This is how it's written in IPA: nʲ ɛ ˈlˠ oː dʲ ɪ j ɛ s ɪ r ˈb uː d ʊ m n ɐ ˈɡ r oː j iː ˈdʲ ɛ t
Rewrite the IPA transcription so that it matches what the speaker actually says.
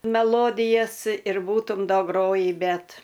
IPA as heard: mʲ ɛ ˈlˠ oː dʲ ɪ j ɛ s ɪ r ˈb uː t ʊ m d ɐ ˈɡ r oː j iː ˈbʲ ɛ t